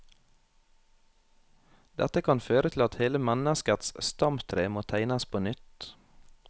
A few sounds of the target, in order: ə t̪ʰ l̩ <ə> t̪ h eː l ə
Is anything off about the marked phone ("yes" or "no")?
yes